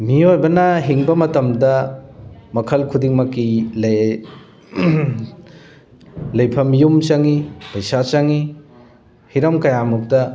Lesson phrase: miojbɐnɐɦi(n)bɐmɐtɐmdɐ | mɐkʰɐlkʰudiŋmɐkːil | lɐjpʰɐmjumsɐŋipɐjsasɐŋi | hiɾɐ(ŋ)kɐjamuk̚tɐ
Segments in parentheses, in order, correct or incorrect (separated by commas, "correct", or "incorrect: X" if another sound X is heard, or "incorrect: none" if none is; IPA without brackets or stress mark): incorrect: ŋ, incorrect: m